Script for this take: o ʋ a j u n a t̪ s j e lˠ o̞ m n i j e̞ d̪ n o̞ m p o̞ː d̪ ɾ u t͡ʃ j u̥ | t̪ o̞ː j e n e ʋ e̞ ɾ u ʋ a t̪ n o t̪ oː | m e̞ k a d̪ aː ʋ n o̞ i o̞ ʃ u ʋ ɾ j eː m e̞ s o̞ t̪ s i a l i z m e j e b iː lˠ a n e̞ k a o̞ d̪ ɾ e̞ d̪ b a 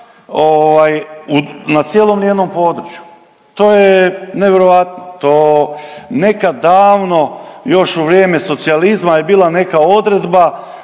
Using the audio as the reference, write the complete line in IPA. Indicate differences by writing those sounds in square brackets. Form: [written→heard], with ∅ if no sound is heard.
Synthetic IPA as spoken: o ʋ a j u n a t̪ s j e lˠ o̞ m n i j e̞ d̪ n o̞ m p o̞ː d̪ ɾ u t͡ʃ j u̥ | t̪ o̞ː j e n e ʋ e̞ ɾ [u→o] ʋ a t̪ n o t̪ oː | [m→n] e̞ k a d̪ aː ʋ n o̞ [i→j] o̞ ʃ u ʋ ɾ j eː m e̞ s o̞ t̪ s i a l i z m [e→a] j e b iː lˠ a n e̞ k a o̞ d̪ ɾ e̞ d̪ b a